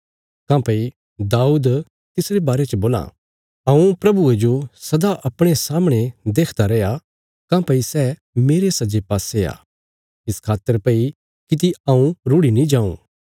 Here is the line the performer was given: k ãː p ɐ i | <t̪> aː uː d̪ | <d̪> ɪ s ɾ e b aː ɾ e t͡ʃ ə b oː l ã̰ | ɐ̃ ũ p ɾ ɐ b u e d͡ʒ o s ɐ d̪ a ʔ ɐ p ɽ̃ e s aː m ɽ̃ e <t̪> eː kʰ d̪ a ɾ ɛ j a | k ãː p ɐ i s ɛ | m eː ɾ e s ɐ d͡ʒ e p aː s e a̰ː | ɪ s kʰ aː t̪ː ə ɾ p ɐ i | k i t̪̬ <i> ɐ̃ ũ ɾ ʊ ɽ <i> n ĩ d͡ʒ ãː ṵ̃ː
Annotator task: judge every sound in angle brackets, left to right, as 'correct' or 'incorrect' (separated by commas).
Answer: incorrect, incorrect, incorrect, correct, correct